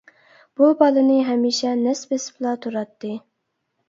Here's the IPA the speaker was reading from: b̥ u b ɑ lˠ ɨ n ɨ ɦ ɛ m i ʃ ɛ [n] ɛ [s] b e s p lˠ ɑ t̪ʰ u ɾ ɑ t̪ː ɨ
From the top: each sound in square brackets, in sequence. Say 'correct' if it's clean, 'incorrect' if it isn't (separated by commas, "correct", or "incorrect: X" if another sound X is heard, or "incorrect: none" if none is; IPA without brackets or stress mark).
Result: correct, correct